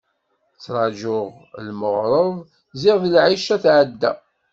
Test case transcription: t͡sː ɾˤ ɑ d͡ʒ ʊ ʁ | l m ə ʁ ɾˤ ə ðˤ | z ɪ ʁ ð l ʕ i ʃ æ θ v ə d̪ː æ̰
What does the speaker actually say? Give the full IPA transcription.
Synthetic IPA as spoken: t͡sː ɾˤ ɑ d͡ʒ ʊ ʁ | l m ə ʁ ɾˤ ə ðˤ | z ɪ ʁ ð l ʕ i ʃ æ θ ʕ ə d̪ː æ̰